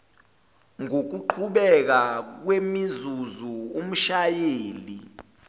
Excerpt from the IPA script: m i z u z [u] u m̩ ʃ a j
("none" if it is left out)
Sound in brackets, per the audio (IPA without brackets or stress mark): u